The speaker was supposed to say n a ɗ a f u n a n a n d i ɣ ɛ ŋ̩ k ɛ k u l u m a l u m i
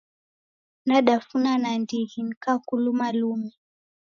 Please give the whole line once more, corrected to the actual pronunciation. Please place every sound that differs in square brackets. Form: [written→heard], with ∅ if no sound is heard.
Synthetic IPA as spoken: n a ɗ a f u n a n a n d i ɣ [ɛ→i] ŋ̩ k [ɛ→a] k u l u m a l u m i